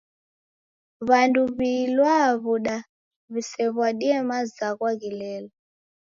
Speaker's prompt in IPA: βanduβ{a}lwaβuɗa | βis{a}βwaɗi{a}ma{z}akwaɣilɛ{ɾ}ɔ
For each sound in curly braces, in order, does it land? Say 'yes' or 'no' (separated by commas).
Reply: no, no, no, yes, no